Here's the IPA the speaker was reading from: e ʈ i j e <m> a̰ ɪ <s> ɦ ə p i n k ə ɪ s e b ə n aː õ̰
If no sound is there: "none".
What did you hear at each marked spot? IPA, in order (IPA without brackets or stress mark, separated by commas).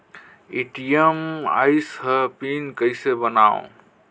m, s